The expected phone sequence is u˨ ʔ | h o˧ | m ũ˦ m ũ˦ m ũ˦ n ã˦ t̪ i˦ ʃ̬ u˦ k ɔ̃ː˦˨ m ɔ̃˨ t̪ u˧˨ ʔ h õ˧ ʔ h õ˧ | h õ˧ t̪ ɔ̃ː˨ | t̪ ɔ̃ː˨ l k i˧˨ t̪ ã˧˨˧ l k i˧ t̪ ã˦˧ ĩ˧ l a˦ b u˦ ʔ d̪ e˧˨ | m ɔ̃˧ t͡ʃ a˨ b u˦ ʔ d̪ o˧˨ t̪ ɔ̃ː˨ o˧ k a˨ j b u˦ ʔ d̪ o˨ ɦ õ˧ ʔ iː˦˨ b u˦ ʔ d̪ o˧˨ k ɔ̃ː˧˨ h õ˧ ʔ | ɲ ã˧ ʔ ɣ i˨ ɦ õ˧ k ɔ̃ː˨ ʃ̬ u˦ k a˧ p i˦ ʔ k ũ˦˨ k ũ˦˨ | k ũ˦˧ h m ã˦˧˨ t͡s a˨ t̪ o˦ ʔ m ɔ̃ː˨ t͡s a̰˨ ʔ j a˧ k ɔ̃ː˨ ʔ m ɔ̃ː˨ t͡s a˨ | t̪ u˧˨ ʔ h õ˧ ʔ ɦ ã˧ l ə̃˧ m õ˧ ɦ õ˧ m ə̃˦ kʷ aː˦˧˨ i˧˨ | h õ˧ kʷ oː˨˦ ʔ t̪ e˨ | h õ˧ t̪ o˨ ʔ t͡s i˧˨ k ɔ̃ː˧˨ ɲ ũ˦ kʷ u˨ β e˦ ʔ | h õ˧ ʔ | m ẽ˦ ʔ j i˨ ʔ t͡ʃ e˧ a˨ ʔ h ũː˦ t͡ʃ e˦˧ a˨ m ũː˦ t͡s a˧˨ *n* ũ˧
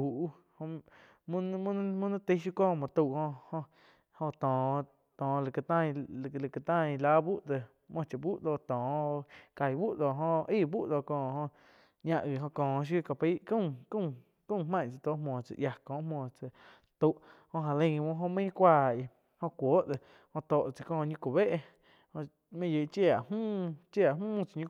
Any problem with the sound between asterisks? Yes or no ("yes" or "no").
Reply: yes